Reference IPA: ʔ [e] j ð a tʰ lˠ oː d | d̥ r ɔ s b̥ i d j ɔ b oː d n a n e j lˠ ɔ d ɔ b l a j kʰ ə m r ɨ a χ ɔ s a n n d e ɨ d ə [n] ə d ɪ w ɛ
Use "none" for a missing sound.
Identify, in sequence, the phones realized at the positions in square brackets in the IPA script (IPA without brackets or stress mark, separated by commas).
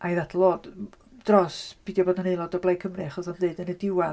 a, n